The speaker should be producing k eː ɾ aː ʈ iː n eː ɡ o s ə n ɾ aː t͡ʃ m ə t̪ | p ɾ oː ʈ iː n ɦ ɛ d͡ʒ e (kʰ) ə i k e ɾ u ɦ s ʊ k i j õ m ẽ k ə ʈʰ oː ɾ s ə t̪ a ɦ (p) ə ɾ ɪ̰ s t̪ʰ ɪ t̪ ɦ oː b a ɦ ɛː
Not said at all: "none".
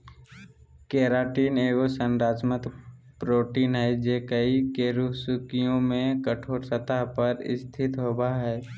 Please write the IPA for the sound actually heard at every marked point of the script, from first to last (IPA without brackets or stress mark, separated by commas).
k, p